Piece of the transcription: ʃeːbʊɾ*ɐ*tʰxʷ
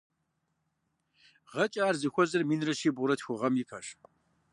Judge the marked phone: correct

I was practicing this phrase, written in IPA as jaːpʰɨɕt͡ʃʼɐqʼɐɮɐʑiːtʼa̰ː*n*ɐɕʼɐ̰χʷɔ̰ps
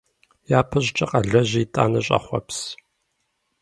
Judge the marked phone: correct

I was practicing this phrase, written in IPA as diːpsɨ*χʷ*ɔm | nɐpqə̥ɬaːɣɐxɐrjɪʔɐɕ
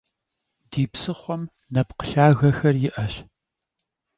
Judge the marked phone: correct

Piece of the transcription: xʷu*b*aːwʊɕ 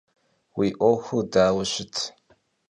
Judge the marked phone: incorrect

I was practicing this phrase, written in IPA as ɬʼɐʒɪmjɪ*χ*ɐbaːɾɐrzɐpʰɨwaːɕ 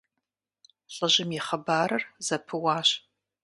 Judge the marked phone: correct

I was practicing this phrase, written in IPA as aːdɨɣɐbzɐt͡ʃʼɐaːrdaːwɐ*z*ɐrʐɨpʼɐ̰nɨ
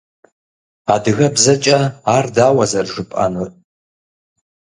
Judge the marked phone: correct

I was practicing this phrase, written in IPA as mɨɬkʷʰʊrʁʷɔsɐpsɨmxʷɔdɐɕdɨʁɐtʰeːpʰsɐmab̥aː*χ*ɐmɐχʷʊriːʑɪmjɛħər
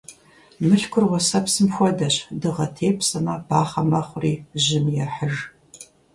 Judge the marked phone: correct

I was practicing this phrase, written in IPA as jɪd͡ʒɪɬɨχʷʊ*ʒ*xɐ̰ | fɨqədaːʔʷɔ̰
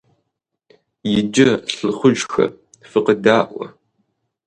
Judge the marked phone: correct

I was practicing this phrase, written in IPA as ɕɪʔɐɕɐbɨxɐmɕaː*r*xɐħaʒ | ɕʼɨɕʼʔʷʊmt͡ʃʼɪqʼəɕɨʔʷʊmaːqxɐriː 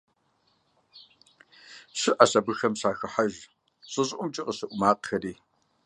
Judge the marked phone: incorrect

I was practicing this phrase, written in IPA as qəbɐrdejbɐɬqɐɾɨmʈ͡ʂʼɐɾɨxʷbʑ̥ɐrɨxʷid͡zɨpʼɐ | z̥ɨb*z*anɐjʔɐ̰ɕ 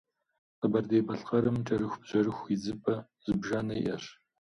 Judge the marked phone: incorrect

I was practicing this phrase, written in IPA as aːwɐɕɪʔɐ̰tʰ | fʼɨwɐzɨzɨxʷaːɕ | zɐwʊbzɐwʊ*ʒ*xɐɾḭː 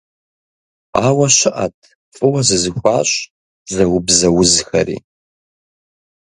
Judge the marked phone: incorrect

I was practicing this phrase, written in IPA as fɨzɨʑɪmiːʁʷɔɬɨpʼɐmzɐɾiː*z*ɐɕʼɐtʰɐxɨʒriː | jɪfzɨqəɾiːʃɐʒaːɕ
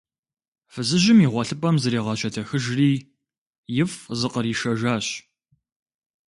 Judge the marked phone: incorrect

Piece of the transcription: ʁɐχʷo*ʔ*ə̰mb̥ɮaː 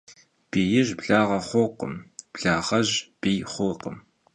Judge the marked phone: incorrect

